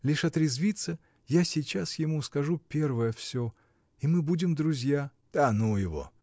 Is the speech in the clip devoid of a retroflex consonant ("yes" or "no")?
no